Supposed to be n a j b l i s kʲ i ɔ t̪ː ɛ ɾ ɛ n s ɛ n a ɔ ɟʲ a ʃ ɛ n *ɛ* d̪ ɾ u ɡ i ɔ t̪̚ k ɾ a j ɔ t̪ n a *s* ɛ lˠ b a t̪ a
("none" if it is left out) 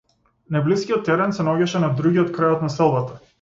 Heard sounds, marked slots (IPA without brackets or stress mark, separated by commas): a, s